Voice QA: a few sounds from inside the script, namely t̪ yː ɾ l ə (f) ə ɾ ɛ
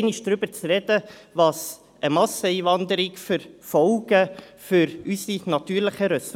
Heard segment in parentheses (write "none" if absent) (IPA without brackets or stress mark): χ